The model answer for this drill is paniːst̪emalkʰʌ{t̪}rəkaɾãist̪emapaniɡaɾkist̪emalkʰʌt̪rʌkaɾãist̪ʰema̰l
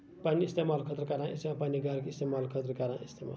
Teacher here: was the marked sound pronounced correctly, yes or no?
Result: yes